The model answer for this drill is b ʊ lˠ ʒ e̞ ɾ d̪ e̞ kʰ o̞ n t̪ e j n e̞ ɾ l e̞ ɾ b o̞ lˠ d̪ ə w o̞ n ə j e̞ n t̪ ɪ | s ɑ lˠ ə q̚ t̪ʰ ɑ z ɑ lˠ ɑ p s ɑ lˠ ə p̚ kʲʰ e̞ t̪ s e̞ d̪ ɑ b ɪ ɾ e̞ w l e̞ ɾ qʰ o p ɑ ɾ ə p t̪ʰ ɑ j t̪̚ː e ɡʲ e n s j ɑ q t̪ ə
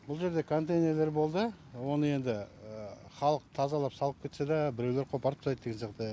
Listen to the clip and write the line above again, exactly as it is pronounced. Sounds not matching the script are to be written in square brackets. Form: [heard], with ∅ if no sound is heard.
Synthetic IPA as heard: b ʊ lˠ ʒ e̞ ɾ d̪ e̞ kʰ o̞ n t̪ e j n e̞ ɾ l e̞ ɾ b o̞ lˠ d̪ ə w o̞ n ə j e̞ n [d̪] ɪ | [χ] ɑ lˠ ə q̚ t̪ʰ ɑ z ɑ lˠ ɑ p s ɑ lˠ ə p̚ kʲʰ e̞ t̪ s e̞ d̪ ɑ b ɪ ɾ e̞ w l e̞ ɾ qʰ o p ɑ ɾ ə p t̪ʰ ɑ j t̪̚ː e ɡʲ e n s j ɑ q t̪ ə